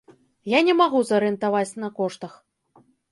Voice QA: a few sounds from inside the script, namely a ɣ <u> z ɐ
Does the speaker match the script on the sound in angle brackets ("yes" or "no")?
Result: yes